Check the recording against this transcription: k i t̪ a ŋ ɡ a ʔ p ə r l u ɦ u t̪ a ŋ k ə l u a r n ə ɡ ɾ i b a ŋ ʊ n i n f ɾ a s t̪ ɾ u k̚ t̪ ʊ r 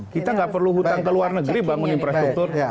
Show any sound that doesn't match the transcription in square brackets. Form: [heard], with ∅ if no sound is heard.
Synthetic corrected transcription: k i t̪ a ŋ ɡ a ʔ p ə r l u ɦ u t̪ a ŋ k ə l u a r n ə ɡ ɾ i b a ŋ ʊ n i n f ɾ a s t̪ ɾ u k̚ t̪ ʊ r